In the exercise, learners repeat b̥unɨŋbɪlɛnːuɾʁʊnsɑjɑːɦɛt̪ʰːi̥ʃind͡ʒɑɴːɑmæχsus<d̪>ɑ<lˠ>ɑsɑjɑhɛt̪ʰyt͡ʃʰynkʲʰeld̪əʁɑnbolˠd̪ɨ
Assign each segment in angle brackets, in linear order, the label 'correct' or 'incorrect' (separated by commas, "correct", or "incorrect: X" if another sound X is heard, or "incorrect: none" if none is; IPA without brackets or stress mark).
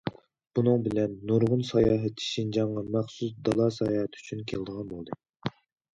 correct, correct